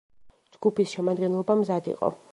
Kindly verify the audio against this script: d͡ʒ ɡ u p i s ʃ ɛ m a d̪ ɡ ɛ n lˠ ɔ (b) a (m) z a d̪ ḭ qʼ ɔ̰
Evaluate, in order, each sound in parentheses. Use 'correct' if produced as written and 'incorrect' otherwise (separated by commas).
correct, correct